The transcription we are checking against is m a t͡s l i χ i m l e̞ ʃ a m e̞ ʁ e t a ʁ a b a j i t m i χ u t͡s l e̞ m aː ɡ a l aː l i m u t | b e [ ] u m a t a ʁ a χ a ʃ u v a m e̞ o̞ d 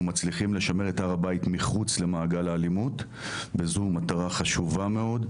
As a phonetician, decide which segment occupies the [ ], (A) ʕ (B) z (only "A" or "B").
B